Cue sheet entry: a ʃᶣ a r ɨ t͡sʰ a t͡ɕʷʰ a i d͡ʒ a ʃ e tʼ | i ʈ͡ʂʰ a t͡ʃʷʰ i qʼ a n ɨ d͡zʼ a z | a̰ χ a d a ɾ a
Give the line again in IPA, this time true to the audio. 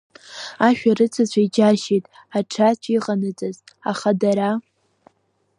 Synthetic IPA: a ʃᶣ a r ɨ t͡sʰ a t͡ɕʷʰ a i d͡ʒ a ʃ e tʼ | a ʈ͡ʂʰ a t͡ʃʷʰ i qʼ a n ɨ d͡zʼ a z | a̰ χ a d a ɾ a